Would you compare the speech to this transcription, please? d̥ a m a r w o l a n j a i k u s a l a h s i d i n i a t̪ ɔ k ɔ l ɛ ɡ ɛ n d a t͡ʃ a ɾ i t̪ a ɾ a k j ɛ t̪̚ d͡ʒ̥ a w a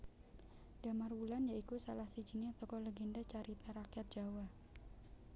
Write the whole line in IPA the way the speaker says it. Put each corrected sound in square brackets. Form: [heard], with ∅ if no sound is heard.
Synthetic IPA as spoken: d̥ a m a r w [u] l a n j a i k u s a l a h s i [d͡ʒ] i n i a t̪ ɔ k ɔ l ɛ ɡ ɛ n d a t͡ʃ a ɾ i t̪ a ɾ a k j [a] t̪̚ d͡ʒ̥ a w a